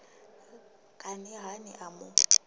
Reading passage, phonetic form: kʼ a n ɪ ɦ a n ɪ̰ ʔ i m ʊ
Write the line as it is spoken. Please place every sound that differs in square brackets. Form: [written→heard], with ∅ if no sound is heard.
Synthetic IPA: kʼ a n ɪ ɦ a n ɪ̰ ʔ [i→a] m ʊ